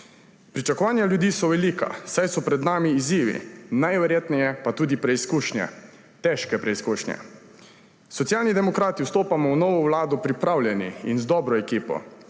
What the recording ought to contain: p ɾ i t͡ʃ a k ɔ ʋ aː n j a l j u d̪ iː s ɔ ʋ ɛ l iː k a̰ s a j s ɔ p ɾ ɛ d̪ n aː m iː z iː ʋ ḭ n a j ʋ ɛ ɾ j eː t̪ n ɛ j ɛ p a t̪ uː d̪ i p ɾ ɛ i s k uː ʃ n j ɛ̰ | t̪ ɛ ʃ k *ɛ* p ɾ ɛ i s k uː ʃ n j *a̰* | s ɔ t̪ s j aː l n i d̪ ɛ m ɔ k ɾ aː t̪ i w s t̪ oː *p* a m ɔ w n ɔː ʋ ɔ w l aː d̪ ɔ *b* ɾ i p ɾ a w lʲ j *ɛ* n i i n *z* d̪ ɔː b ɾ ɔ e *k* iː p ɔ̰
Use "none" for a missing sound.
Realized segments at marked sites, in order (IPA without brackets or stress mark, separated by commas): ɛ, ɛ̰, p, p, ɛ, z, k